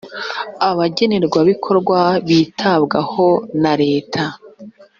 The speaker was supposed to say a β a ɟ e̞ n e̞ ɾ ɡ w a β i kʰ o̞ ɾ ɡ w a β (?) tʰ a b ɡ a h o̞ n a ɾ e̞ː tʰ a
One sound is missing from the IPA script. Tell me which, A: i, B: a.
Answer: A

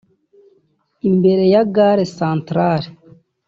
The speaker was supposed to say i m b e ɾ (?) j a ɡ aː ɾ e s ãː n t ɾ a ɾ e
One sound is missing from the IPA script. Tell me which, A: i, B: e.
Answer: B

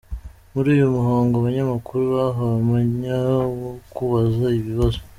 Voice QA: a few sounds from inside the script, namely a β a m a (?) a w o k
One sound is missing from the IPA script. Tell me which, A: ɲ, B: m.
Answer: A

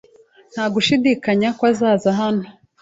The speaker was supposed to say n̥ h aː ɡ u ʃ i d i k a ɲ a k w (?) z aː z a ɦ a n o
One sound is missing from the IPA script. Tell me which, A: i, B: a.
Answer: B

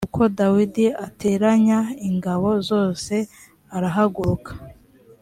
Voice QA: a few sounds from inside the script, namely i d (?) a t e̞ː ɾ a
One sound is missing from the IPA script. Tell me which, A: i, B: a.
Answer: A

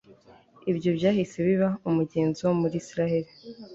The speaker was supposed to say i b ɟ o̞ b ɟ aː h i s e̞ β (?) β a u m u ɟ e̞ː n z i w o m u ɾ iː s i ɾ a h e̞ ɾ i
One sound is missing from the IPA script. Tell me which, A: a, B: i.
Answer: B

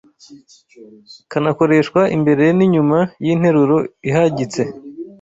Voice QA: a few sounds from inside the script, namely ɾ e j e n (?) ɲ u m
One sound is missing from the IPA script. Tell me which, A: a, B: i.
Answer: B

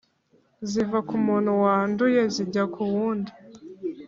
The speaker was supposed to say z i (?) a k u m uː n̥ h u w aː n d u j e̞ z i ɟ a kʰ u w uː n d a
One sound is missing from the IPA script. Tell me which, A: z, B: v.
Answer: B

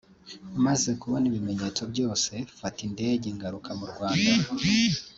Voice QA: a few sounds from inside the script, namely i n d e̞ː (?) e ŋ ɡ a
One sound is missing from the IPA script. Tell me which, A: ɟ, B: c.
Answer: A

